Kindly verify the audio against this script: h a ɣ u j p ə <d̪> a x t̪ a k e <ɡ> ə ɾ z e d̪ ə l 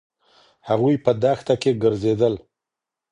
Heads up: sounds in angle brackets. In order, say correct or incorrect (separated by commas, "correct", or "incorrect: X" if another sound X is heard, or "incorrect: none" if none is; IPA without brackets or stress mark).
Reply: correct, correct